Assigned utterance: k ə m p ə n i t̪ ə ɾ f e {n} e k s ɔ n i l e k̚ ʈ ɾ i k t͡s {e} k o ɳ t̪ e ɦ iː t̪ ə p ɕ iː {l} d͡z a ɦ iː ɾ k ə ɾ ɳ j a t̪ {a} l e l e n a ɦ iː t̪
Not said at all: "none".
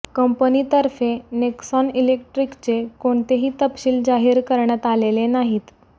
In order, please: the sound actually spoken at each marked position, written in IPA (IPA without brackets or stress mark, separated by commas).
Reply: n, e, l, a